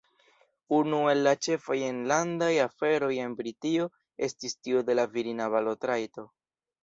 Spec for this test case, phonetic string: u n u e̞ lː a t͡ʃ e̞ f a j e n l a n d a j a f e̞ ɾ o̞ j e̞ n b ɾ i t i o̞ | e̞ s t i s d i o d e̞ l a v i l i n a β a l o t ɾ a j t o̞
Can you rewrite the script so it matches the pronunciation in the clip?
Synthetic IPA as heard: u n u e̞ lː a t͡ʃ e̞ f a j e n l a n d a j a f e̞ ɾ o̞ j e̞ n b ɾ i t i o̞ | e̞ s t i s t i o d e̞ l a v i ɾ i n a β a l o t ɾ a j t o̞